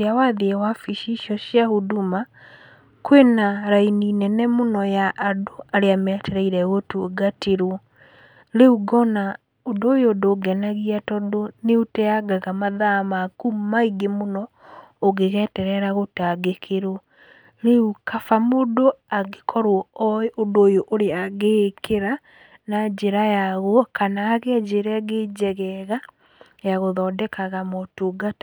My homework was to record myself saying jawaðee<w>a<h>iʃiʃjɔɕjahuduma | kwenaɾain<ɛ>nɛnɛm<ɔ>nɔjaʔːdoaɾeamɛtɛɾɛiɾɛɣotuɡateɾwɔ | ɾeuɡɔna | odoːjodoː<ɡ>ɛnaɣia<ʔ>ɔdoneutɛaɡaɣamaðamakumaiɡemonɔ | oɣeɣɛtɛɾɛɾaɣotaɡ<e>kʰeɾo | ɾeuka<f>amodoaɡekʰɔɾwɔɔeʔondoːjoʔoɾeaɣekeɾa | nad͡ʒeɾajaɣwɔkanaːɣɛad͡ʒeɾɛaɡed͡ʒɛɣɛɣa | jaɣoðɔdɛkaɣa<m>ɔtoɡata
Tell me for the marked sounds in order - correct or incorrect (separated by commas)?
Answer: correct, incorrect, incorrect, incorrect, correct, incorrect, correct, correct, correct